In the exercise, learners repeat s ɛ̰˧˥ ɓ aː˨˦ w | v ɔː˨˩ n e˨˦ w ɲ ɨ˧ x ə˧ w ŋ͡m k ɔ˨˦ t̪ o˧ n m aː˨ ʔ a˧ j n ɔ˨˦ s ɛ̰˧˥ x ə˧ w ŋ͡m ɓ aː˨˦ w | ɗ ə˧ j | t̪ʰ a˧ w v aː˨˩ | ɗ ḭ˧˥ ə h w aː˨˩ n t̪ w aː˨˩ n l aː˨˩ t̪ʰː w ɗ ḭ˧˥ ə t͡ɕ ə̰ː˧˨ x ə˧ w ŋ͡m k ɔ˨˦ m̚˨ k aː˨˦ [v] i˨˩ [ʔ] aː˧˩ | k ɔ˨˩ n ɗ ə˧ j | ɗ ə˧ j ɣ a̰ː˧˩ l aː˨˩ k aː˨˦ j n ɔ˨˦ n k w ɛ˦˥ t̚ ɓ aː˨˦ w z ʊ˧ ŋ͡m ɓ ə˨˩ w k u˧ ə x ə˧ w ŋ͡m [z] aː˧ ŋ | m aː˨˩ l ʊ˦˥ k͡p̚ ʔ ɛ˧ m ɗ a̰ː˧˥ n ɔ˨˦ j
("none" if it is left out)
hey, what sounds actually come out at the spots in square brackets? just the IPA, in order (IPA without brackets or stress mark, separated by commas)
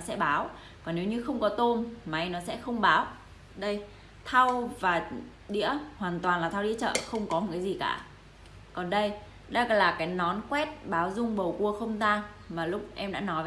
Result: z, k, z